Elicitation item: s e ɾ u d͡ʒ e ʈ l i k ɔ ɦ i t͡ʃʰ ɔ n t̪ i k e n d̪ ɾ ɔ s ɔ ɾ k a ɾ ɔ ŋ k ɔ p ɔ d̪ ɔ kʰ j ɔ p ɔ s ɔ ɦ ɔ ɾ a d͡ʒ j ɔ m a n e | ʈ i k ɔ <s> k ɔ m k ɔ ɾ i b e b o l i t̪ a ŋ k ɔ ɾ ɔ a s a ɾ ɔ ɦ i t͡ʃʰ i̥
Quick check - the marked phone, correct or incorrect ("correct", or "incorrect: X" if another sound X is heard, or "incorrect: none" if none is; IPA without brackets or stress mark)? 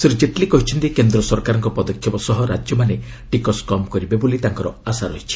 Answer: correct